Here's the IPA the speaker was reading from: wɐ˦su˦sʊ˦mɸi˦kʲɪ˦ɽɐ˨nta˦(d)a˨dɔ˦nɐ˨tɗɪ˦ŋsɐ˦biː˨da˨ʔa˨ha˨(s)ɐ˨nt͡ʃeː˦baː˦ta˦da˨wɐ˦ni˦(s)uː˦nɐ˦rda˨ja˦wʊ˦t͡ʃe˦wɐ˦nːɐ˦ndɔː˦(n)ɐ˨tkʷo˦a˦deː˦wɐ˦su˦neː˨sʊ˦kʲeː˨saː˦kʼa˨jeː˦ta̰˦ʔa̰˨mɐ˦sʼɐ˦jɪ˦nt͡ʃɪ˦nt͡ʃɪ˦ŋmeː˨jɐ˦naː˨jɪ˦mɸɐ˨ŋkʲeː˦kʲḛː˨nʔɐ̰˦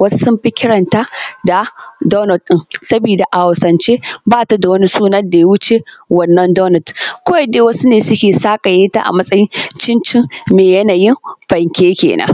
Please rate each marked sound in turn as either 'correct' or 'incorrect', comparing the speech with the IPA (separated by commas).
correct, correct, correct, correct